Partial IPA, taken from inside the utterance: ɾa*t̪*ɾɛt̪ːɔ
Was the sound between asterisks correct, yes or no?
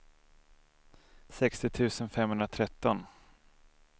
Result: no